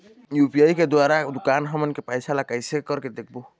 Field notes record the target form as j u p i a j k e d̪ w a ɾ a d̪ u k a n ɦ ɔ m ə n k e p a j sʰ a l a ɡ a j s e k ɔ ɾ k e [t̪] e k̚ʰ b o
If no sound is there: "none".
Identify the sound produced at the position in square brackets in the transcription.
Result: d̪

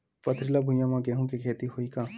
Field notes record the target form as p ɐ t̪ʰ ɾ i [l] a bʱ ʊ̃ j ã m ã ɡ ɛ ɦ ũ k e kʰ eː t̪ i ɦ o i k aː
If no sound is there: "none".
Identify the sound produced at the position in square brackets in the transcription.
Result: l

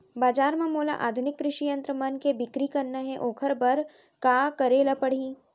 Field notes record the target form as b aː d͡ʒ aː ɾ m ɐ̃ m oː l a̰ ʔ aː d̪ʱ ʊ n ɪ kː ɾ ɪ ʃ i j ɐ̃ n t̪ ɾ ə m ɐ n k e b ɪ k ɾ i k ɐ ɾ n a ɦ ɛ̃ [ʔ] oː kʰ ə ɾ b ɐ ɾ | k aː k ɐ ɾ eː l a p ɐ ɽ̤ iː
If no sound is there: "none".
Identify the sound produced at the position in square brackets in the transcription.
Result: ʔ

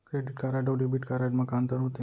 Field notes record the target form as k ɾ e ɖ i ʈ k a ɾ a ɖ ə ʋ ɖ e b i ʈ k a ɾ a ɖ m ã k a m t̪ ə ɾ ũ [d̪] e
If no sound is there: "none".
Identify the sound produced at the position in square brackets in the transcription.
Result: t̪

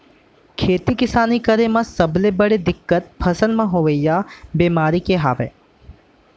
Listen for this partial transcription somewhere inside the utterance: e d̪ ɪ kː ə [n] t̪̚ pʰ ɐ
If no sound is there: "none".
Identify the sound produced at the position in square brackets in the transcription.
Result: none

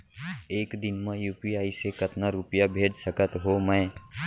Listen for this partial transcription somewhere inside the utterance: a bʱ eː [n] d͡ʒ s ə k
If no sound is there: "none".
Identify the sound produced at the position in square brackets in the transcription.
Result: none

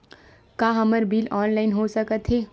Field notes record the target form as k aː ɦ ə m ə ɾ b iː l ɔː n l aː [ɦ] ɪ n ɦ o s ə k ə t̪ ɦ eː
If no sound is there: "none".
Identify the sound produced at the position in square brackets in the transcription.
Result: none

